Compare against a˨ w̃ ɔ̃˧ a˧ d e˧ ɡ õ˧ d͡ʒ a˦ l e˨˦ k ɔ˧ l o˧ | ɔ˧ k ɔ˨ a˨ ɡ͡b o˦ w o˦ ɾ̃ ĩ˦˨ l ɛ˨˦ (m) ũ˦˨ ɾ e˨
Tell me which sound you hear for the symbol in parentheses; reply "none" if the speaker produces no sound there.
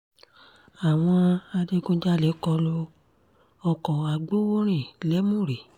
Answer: m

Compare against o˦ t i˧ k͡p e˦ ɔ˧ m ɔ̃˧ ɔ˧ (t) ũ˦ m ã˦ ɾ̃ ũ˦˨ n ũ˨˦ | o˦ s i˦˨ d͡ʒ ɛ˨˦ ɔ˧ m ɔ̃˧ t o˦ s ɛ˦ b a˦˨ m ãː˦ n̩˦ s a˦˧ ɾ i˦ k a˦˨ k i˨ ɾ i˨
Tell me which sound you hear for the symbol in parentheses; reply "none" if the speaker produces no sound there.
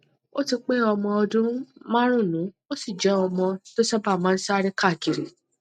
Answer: d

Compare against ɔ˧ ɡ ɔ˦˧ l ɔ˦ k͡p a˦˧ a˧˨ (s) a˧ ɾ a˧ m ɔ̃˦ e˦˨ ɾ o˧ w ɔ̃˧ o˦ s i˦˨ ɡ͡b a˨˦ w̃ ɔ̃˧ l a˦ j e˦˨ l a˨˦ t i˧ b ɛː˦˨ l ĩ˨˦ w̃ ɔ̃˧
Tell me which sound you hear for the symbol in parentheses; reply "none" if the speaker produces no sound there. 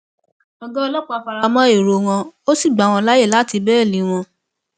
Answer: f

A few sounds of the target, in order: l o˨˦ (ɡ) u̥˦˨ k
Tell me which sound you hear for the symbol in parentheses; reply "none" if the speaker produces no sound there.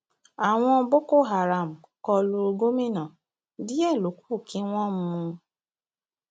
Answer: k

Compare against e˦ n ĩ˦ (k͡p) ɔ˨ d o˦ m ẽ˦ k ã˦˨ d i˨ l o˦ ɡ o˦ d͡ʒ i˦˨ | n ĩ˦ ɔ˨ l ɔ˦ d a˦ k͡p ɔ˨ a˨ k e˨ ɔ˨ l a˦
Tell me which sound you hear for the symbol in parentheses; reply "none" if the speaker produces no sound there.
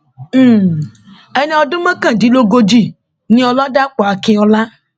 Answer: none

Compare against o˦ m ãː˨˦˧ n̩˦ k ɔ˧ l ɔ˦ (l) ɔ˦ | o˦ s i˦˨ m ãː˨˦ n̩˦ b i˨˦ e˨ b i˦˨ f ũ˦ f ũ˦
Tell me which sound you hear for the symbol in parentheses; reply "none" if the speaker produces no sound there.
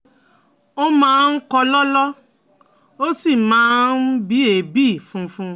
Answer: l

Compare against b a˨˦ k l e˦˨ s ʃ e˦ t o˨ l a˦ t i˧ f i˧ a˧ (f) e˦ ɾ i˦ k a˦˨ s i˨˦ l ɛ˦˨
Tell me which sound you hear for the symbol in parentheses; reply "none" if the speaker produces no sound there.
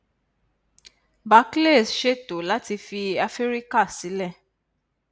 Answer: f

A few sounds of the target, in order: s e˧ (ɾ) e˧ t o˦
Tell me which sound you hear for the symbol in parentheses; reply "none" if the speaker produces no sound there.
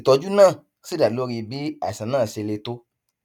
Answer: l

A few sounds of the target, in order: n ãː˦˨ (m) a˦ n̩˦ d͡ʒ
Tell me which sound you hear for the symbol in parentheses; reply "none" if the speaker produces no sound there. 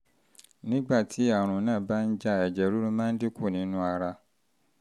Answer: b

